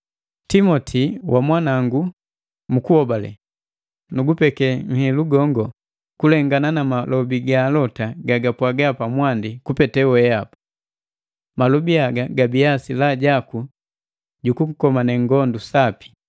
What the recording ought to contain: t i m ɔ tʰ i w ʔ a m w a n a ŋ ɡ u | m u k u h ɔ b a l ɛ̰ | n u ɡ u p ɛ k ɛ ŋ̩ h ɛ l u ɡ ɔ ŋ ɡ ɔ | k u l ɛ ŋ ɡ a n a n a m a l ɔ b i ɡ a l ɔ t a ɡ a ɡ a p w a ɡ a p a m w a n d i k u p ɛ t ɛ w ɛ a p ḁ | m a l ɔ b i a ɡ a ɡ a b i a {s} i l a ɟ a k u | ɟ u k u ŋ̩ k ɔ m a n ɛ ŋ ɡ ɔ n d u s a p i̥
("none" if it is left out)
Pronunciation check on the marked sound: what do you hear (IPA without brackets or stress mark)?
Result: s